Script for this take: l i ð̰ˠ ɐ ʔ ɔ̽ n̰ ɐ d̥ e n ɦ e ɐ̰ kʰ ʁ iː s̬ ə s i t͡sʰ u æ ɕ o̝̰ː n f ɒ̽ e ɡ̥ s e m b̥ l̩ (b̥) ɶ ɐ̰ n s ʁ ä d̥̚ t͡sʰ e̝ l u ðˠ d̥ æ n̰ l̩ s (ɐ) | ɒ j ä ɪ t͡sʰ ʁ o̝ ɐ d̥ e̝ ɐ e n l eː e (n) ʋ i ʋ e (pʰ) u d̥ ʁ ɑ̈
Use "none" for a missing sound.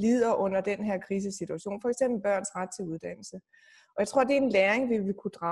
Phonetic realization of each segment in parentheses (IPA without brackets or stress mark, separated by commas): b̥, ə, ŋ, kʰ